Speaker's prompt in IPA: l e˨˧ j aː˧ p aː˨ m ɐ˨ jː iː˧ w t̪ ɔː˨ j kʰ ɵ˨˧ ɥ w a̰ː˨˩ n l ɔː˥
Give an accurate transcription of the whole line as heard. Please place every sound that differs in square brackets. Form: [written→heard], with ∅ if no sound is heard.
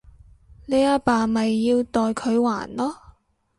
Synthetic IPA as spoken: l e˨˧ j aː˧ p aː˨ m ɐ˨ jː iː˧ w t̪ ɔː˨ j kʰ ɵ˨˧ ɥ w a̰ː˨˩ n l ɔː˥

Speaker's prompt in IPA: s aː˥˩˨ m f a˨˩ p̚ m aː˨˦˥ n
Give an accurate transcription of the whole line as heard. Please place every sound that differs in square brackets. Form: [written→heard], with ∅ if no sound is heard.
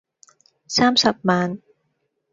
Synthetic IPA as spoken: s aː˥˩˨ m [f→s] a˨˩ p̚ m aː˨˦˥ n

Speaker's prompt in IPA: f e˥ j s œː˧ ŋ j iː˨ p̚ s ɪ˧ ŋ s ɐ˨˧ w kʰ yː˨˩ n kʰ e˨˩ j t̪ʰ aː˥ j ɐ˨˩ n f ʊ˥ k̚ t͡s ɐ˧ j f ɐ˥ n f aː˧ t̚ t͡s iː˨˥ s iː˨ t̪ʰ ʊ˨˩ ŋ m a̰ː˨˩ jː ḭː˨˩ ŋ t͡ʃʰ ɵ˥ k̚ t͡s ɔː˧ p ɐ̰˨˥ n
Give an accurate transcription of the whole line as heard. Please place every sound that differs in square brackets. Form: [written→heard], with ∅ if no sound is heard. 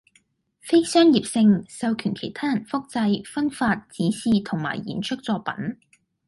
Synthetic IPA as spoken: f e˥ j s [œː˧→œː˥] ŋ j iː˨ p̚ s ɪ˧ ŋ s ɐ˨˧ w kʰ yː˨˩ n kʰ e˨˩ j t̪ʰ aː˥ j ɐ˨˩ n f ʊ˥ k̚ t͡s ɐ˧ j f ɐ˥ n f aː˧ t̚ t͡s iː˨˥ s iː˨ t̪ʰ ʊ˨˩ ŋ m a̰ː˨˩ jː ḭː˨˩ [ŋ→n] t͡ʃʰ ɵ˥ k̚ t͡s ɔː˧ p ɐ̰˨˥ n

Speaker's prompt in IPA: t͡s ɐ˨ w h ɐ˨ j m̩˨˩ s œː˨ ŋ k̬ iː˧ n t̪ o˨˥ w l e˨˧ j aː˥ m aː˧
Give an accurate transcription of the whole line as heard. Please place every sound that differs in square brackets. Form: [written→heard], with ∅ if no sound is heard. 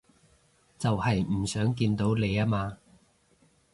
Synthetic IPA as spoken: t͡s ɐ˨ w h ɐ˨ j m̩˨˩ s [œː˨→œː˨˥] ŋ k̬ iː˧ n t̪ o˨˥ w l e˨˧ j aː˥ m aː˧

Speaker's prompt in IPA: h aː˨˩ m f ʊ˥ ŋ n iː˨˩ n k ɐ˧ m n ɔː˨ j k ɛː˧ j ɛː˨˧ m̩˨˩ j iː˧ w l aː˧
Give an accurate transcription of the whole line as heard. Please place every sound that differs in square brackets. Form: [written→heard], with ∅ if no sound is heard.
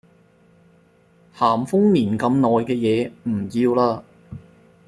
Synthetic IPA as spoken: h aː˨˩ m f ʊ˥ ŋ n iː˨˩ n k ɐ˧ m n ɔː˨ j k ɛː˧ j ɛː˨˧ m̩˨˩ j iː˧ w l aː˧

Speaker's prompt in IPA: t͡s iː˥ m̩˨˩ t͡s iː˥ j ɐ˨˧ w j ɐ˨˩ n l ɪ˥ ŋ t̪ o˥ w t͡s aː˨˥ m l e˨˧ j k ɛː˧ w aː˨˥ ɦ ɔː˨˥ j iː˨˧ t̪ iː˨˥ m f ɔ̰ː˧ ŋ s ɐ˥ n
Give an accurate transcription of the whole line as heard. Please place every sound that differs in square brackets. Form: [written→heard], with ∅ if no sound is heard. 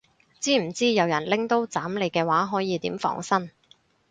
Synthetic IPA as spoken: t͡s iː˥ m̩˨˩ t͡s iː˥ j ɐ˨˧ w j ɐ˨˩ n l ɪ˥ ŋ t̪ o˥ w t͡s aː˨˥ m l e˨˧ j k ɛː˧ w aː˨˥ ɦ ɔː˨˥ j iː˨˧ t̪ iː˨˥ m f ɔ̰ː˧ ŋ s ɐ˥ n

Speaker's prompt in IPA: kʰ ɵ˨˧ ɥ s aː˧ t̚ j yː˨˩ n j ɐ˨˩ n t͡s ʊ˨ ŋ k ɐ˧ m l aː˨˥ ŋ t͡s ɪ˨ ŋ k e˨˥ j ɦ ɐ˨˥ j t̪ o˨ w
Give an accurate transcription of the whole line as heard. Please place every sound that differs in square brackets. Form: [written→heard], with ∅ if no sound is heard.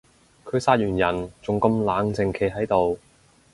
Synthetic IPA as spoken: kʰ ɵ˨˧ ɥ s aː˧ t̚ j yː˨˩ n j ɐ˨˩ n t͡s ʊ˨ ŋ k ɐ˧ m l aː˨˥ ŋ t͡s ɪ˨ ŋ [k→kʰ] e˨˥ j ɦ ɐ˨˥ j t̪ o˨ w

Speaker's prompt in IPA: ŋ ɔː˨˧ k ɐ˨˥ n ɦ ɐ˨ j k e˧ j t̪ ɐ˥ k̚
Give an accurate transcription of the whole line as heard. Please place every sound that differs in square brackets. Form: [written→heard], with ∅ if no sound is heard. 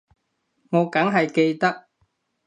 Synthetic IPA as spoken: ŋ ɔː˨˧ k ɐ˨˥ [n→ŋ] ɦ ɐ˨ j k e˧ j t̪ ɐ˥ k̚

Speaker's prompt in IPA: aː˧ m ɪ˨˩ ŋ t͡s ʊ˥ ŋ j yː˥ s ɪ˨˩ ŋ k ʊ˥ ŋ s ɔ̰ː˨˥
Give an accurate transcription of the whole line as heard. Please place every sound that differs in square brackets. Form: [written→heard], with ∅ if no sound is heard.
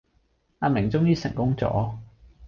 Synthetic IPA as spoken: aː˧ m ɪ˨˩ ŋ t͡s ʊ˥ ŋ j [yː˥→iː˥] s ɪ˨˩ ŋ k ʊ˥ ŋ [s→t͡s] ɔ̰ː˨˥

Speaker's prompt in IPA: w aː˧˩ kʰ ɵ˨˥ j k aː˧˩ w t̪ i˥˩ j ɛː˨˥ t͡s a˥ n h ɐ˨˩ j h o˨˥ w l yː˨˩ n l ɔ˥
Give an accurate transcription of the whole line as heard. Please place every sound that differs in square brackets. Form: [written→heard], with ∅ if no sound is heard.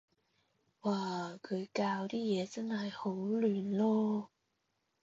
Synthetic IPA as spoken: w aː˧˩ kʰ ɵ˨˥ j k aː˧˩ w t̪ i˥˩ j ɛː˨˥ t͡s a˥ n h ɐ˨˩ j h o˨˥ w l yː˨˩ n l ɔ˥

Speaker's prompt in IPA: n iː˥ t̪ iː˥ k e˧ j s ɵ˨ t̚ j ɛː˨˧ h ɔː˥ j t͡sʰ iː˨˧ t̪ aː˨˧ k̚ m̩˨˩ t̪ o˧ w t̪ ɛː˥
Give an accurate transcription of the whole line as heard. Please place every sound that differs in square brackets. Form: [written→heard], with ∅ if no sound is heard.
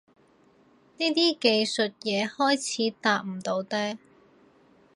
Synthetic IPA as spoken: n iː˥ t̪ iː˥ k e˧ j s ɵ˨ t̚ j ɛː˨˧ h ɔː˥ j t͡sʰ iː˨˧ t̪ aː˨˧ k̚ m̩˨˩ t̪ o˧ w t̪ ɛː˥

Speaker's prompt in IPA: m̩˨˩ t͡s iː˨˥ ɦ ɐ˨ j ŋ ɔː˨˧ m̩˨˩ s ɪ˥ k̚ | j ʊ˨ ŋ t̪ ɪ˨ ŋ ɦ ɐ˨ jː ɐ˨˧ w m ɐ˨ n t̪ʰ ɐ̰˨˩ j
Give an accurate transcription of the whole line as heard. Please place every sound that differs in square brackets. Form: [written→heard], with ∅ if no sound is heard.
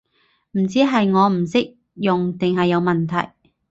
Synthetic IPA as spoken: m̩˨˩ t͡s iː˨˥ ɦ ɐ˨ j ŋ ɔː˨˧ m̩˨˩ s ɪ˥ k̚ | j ʊ˨ ŋ t̪ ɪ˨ ŋ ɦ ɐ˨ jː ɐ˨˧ w m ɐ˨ n t̪ʰ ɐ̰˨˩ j

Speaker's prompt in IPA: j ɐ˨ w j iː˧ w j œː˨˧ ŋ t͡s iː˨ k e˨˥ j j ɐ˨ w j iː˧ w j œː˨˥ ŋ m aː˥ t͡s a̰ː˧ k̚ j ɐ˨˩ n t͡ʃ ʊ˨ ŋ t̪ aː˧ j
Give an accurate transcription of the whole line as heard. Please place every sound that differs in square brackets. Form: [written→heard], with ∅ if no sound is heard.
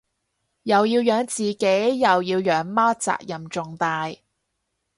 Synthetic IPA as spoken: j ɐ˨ w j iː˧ w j œː˨˧ ŋ t͡s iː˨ k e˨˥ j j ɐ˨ w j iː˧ w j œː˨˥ ŋ m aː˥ t͡s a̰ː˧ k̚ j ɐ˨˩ [n→m] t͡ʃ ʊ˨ ŋ t̪ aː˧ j

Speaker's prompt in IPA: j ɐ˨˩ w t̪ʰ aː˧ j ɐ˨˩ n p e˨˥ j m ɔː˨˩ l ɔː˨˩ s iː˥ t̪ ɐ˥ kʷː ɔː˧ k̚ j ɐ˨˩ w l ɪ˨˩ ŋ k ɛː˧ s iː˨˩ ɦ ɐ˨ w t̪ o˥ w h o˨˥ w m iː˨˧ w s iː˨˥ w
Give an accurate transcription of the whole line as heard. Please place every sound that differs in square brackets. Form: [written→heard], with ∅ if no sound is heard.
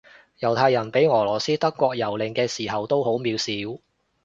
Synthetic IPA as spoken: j ɐ˨˩ w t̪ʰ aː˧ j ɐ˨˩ n p e˨˥ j [m→ŋ] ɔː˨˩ l ɔː˨˩ s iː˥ t̪ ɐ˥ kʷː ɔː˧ k̚ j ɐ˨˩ w l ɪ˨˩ ŋ k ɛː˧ s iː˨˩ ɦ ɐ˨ w t̪ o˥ w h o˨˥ w m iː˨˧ w s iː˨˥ w

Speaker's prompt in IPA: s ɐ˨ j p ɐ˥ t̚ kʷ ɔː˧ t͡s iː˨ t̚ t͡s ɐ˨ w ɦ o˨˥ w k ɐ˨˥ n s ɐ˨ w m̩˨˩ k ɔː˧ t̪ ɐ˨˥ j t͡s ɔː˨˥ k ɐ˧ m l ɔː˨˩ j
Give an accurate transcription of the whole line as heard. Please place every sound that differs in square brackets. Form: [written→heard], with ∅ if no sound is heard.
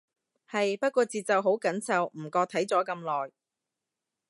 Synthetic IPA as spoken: [s→h] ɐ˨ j p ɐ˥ t̚ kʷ ɔː˧ t͡s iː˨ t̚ t͡s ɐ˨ w ɦ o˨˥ w k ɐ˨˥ n s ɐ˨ w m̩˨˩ k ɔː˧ [t̪→t̪ʰ] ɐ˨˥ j t͡s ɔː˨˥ k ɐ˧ m l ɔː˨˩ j

